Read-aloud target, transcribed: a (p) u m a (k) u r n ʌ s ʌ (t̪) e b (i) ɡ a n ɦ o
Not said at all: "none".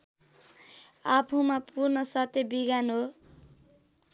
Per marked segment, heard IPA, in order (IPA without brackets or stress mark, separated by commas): pʰ, p, t̪, i